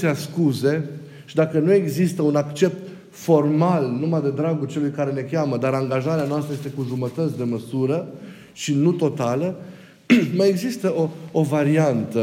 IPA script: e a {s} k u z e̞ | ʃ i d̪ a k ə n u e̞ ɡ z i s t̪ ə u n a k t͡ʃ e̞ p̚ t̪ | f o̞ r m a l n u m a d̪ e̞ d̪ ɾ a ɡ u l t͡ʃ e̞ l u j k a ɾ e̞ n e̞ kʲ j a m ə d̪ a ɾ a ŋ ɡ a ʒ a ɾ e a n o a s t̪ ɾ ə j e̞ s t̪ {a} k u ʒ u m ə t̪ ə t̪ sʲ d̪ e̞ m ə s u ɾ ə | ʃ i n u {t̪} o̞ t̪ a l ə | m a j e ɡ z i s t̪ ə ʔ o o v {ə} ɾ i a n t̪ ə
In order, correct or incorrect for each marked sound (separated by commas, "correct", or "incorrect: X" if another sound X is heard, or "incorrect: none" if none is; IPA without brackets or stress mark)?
correct, incorrect: e, correct, incorrect: a